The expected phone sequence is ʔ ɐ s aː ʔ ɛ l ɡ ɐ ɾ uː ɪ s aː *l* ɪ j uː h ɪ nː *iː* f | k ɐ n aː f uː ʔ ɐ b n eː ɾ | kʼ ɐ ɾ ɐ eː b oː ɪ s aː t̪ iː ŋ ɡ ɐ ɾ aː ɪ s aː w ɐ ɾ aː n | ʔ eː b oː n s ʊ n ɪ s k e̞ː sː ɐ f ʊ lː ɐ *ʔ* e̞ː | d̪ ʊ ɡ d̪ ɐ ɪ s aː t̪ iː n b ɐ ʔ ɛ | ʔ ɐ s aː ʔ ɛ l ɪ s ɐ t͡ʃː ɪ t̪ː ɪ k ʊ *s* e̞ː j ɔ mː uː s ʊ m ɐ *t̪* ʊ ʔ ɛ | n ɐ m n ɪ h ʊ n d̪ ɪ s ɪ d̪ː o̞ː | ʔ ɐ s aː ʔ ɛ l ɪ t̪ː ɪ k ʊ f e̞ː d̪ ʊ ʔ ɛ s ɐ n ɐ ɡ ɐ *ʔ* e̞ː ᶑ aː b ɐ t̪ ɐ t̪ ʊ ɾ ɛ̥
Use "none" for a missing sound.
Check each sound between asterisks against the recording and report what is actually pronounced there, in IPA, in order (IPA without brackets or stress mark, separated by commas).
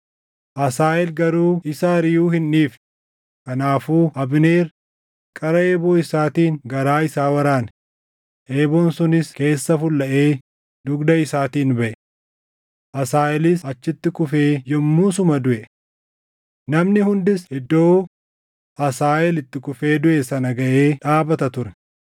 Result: ɾ, iː, ʔ, f, d̪, ʔ